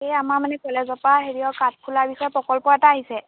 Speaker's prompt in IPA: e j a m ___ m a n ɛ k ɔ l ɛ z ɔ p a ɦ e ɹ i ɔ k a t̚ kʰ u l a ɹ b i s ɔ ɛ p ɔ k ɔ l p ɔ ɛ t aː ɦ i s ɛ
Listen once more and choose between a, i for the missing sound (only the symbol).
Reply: a